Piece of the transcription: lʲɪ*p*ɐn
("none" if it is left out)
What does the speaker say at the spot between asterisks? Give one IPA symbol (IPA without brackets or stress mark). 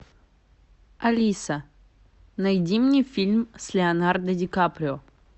none